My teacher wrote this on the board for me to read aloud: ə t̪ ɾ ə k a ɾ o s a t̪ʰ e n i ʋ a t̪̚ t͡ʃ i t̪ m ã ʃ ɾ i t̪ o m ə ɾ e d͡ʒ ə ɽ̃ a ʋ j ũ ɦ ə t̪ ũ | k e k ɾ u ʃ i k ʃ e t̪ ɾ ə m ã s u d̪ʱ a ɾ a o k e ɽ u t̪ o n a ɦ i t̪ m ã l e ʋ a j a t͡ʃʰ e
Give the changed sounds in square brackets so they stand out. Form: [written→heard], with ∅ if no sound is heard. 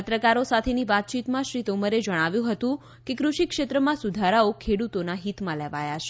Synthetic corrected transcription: ə t̪ ɾ ə k a ɾ o s a t̪ʰ e n i ʋ a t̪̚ t͡ʃ i t̪ m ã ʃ ɾ i t̪ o m ə ɾ e d͡ʒ ə ɽ̃ a ʋ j ũ ɦ ə t̪ ũ | k e k ɾ u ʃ i k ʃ e t̪ ɾ ə m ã s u d̪ʱ a ɾ a o [k→kʰ] e ɽ u t̪ o n a ɦ i t̪ m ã l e ʋ a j a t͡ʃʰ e

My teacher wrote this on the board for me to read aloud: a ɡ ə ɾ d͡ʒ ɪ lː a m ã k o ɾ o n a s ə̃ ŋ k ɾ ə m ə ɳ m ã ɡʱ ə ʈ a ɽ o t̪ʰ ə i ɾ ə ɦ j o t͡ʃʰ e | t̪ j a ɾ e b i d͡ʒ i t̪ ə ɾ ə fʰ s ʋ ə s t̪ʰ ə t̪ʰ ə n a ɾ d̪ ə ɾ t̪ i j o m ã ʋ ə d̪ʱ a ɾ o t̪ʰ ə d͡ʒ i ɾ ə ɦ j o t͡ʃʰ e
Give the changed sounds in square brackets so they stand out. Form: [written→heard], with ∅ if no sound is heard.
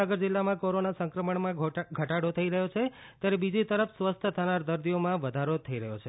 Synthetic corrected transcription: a ɡ ə ɾ d͡ʒ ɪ lː a m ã k o ɾ o n a s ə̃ ŋ k ɾ ə m ə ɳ m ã ɡʱ ə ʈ a ɽ o t̪ʰ ə i ɾ ə ɦ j o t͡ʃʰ e | t̪ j a ɾ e b i d͡ʒ i t̪ ə ɾ ə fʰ s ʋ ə s t̪ʰ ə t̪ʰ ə n a ɾ d̪ ə ɾ [t̪→d̪] i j o m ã ʋ ə d̪ʱ a ɾ o t̪ʰ ə [d͡ʒ→∅] i ɾ ə ɦ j o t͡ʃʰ e

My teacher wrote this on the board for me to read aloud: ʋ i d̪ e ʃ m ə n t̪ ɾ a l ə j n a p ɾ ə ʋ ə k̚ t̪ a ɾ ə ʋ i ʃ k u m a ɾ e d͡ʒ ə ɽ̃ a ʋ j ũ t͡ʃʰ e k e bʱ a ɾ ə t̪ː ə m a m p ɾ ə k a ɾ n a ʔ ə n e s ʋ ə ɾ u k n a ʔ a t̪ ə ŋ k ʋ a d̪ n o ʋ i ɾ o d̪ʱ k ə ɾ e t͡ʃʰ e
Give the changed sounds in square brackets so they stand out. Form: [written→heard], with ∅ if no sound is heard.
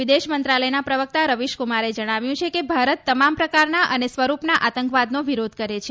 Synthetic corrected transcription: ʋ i d̪ e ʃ m ə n t̪ ɾ a l ə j n a p ɾ ə ʋ ə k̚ t̪ a ɾ ə ʋ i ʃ k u m a ɾ e d͡ʒ ə ɽ̃ a ʋ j ũ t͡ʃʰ e k e bʱ a ɾ ə t̪ː ə m a m p ɾ ə k a ɾ n a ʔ ə n e s ʋ ə ɾ u [k→p] n a ʔ a t̪ ə ŋ k ʋ a d̪ n o ʋ i ɾ o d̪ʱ k ə ɾ e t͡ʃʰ e

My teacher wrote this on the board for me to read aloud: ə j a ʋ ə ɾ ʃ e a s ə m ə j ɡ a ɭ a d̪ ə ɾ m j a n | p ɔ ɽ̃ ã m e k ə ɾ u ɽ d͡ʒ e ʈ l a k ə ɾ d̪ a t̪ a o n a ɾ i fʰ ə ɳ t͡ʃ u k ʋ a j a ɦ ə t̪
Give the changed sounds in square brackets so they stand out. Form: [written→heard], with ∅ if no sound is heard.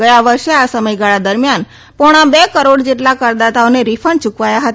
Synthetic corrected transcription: ə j a ʋ ə ɾ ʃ e a s ə m ə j ɡ a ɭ a d̪ ə ɾ m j a n | p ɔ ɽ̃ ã [m→b] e k ə ɾ [u→o] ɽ d͡ʒ e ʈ l a k ə ɾ d̪ a t̪ a o n [a→e] ɾ i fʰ ə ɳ t͡ʃ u k ʋ a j a ɦ ə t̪

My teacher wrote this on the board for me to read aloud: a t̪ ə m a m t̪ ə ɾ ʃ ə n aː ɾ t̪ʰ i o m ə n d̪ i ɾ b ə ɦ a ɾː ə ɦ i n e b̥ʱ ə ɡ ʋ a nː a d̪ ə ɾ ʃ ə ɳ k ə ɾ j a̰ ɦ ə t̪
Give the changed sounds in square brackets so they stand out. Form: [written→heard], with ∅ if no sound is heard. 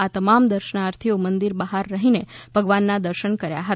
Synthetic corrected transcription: a t̪ ə m a m [t̪→d̪] ə ɾ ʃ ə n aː ɾ t̪ʰ i o m ə n d̪ i ɾ b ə ɦ a ɾː ə ɦ i n e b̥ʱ ə ɡ ʋ a nː a d̪ ə ɾ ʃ ə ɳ k ə ɾ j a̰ ɦ ə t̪

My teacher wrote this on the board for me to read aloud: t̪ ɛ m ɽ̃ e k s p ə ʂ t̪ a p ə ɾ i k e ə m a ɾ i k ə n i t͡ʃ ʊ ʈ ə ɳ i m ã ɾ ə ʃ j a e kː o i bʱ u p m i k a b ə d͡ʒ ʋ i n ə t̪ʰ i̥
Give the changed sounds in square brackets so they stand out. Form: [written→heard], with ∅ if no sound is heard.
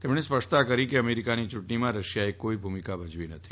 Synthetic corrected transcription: t̪ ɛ m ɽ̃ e [k→∅] s p ə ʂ t̪ a [p→k] ə ɾ i k e ə m [a→e] ɾ i k [ə→a] n i t͡ʃ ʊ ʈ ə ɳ i m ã ɾ ə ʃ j a e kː o i bʱ u [p→∅] m i k a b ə d͡ʒ ʋ i n ə t̪ʰ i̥

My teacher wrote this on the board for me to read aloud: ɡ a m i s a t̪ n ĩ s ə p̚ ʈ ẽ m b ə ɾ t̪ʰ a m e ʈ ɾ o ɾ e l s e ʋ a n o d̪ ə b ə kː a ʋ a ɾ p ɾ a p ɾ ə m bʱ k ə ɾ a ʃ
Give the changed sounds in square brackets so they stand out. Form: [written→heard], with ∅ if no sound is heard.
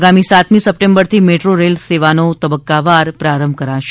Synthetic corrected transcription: ɡ a m i s a t̪ [n→m] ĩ s ə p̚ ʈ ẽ m b ə ɾ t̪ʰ [a→i] m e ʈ ɾ o ɾ e l s e ʋ a n o [d̪→t̪] ə b ə kː a ʋ a ɾ p ɾ a [p→∅] ɾ ə m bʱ k ə ɾ a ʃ

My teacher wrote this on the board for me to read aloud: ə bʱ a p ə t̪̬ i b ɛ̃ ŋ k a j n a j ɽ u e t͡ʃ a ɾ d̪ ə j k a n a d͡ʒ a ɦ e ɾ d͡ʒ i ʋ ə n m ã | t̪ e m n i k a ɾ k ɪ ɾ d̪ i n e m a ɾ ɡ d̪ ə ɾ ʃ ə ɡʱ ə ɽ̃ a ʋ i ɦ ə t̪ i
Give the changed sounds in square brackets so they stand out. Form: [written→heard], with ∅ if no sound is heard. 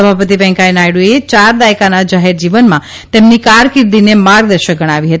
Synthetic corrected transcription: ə bʱ a p ə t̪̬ i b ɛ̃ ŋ k a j n a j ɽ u e t͡ʃ a ɾ d̪ [ə→a] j k a n a d͡ʒ a ɦ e ɾ d͡ʒ i ʋ ə n m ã | t̪ e m n i k a ɾ k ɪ ɾ d̪ i n e m a ɾ ɡ d̪ ə ɾ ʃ ə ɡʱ ə ɽ̃ a ʋ i ɦ ə t̪ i

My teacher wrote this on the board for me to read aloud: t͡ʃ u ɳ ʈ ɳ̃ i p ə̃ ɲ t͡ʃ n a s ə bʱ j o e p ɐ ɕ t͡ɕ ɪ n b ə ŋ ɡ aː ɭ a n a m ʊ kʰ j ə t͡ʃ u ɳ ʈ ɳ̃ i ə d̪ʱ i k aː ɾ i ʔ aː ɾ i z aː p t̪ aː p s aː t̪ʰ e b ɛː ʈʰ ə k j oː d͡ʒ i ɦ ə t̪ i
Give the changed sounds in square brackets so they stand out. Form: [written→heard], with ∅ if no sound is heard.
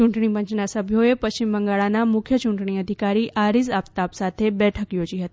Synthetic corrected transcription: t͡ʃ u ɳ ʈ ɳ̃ i p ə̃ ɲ t͡ʃ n a s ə bʱ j o e p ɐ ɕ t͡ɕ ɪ [n→m] b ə ŋ ɡ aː ɭ a n a m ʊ kʰ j ə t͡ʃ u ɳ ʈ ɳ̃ i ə d̪ʱ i k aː ɾ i ʔ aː ɾ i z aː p t̪ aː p s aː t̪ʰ e b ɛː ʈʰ ə k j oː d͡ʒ i ɦ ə t̪ i

